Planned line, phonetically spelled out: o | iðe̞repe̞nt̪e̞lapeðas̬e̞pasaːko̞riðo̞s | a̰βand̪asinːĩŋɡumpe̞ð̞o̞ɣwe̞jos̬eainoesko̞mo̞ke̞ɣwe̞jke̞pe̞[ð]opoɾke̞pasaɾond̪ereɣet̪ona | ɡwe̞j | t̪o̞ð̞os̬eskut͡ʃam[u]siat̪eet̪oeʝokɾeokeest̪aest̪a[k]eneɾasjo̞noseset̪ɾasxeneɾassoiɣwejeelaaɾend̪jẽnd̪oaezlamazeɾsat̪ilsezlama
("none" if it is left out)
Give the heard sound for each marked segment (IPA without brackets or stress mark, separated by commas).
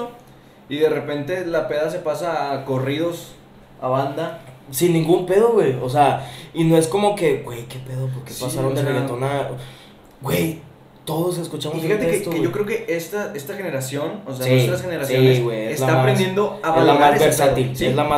ð, o, x